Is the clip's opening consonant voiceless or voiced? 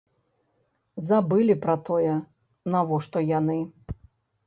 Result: voiced